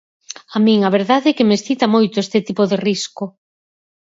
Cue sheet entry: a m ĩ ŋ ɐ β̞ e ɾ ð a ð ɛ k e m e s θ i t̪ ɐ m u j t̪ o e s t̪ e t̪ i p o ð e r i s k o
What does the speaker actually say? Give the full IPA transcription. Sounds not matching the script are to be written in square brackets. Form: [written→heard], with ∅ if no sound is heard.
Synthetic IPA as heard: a m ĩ ŋ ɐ β̞ e ɾ ð a ð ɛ k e m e s θ i t̪ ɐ m [u→o] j t̪ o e s t̪ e t̪ i p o ð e r i s k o